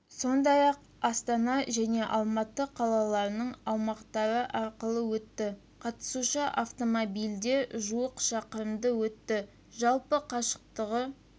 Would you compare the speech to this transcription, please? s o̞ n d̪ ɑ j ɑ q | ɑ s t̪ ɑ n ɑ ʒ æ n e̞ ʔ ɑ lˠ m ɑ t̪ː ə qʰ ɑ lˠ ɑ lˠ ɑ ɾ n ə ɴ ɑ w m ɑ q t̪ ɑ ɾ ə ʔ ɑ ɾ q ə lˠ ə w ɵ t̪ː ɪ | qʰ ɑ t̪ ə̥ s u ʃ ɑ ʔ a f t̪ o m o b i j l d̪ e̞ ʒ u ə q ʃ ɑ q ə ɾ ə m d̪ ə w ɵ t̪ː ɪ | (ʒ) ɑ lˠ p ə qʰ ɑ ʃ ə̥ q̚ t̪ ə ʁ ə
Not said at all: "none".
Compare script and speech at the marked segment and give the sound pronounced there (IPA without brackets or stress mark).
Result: ʒ